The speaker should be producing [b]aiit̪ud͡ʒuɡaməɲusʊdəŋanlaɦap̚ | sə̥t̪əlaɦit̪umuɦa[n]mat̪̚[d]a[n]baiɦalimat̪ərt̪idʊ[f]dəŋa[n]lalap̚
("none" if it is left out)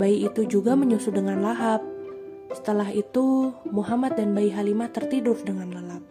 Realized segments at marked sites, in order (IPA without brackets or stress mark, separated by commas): b, none, d, n, f, n